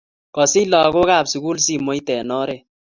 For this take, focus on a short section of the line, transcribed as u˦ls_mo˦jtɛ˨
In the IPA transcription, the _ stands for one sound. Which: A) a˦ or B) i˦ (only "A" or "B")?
B